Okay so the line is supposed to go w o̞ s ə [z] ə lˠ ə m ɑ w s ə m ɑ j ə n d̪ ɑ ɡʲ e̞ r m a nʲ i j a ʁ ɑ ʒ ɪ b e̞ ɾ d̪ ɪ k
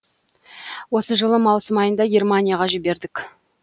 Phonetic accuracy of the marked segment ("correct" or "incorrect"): incorrect